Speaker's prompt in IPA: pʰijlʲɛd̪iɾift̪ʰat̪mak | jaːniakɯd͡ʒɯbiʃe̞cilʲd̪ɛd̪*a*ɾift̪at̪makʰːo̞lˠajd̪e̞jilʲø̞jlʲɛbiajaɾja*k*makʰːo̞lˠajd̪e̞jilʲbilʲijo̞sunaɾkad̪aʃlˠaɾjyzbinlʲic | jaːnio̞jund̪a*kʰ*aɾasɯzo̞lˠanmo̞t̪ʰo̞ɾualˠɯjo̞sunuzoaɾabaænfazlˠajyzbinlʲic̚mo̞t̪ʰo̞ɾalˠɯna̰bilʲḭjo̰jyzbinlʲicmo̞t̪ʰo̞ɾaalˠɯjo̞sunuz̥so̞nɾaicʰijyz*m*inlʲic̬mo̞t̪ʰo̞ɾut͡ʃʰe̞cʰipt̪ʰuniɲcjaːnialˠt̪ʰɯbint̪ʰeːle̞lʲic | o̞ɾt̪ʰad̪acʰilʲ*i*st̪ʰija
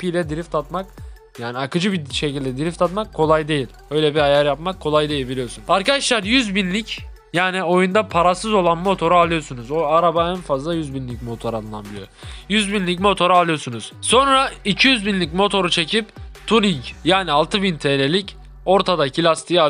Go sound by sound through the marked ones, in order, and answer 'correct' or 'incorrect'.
incorrect: i, incorrect: p, incorrect: pʰ, incorrect: b, incorrect: a

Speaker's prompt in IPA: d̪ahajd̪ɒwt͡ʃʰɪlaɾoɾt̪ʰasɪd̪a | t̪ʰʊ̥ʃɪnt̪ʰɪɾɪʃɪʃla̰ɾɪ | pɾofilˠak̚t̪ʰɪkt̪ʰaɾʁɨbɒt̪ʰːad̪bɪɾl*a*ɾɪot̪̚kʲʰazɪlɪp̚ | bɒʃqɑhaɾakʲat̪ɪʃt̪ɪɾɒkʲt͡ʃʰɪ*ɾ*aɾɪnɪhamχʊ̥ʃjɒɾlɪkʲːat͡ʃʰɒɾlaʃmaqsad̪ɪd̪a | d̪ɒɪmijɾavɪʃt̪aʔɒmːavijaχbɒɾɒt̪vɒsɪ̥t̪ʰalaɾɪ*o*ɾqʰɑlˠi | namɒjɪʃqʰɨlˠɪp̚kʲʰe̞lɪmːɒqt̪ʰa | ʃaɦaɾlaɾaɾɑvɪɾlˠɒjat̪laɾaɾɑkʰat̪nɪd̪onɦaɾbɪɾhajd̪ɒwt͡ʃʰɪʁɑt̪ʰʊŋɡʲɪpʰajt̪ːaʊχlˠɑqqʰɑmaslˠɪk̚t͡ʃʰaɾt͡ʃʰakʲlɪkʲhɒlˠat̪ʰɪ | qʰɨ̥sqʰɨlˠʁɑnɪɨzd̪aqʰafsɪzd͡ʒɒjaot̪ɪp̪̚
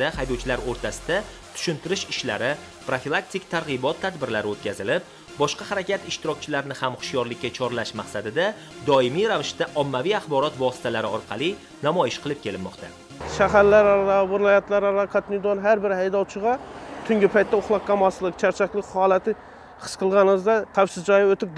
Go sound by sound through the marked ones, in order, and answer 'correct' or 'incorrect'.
correct, incorrect: l, incorrect: ɒ

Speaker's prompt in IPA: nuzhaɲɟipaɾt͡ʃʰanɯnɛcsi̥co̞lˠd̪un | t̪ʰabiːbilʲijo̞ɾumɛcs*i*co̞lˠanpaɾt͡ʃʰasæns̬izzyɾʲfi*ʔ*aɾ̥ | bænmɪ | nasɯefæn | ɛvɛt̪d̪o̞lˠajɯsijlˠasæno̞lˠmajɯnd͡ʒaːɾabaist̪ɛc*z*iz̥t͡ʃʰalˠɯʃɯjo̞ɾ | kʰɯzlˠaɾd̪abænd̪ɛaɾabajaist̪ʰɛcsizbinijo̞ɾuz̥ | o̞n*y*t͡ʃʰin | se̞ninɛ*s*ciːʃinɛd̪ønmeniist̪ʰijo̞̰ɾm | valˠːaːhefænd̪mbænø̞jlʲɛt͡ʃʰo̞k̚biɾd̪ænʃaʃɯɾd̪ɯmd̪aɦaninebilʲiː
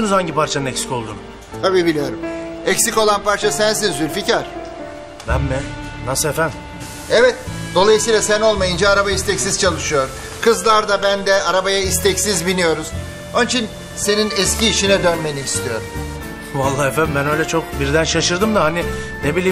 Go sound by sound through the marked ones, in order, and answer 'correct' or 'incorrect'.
correct, incorrect: c, incorrect: s, incorrect: i, correct

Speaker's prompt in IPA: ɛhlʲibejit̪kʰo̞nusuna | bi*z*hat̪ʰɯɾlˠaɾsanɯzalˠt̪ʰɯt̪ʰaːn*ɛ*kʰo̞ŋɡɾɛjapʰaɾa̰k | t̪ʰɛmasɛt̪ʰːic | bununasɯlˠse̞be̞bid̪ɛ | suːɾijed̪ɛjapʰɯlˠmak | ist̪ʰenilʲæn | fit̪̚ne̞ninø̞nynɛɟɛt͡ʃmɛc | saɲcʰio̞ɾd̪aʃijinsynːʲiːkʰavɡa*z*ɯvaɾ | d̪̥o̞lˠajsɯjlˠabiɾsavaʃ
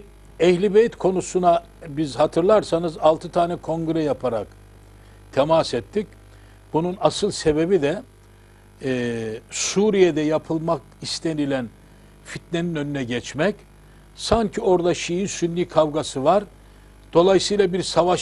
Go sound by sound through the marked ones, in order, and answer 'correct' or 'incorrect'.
correct, correct, incorrect: s

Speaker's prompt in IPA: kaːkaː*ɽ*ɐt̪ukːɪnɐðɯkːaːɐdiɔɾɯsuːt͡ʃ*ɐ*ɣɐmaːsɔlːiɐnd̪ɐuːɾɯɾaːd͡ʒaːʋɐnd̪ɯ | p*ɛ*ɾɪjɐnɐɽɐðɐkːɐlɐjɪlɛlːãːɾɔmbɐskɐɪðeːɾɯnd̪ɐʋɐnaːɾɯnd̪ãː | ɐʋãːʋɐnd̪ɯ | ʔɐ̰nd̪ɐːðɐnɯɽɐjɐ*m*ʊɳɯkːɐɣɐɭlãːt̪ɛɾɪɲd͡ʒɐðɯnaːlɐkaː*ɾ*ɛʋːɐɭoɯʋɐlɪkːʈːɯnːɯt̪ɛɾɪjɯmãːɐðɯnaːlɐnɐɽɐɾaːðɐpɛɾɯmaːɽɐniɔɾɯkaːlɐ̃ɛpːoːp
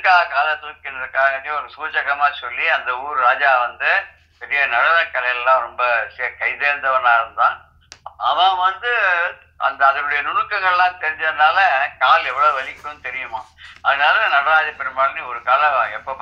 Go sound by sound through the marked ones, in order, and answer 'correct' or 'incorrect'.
incorrect: l, correct, correct, incorrect: n, incorrect: l

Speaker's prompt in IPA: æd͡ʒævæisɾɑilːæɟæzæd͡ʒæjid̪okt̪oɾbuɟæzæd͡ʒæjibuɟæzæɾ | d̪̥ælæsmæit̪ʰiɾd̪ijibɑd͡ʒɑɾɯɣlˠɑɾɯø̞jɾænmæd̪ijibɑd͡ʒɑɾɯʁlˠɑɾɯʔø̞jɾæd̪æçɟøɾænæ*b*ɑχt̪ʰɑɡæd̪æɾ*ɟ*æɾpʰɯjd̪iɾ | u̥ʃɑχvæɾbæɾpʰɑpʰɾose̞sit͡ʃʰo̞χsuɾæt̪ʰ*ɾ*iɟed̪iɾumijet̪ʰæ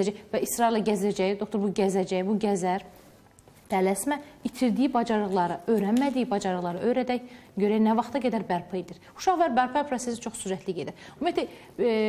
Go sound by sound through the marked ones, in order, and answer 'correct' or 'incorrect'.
incorrect: v, incorrect: b, incorrect: l

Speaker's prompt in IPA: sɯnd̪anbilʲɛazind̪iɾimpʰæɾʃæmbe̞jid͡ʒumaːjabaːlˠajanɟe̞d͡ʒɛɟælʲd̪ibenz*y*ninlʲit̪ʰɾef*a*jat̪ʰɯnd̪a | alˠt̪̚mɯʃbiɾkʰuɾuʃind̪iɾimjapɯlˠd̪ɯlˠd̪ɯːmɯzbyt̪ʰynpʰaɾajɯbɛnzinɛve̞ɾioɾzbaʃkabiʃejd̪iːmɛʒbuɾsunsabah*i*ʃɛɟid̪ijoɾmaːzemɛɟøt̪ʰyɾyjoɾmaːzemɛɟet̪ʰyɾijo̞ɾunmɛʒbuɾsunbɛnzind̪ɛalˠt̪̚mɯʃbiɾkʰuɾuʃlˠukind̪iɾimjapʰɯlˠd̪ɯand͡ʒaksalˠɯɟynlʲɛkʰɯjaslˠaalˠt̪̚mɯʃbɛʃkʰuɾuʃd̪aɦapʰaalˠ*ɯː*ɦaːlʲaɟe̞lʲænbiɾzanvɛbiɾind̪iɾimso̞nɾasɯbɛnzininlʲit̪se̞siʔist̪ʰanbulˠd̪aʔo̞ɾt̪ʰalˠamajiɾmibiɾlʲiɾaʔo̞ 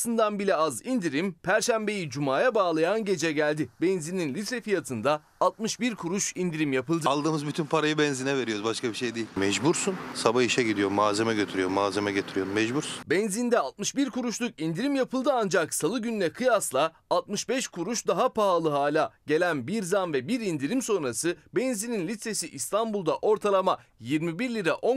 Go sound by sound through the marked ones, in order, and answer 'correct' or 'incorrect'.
incorrect: i, incorrect: i, correct, incorrect: ɯ

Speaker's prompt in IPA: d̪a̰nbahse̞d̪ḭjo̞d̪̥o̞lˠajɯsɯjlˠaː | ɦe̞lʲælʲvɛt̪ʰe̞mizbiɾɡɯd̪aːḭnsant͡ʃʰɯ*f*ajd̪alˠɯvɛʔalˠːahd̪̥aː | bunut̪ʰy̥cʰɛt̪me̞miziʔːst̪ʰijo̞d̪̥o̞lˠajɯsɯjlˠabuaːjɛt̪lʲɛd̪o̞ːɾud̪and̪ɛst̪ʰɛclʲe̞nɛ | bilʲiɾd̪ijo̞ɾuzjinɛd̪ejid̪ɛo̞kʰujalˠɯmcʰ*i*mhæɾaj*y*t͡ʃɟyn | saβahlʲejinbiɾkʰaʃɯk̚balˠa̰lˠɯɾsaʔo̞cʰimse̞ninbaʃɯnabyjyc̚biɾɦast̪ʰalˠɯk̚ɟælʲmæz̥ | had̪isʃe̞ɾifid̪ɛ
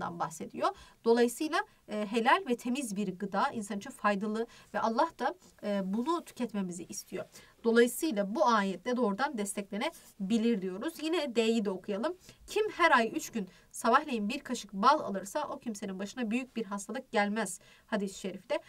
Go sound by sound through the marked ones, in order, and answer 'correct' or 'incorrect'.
correct, correct, correct

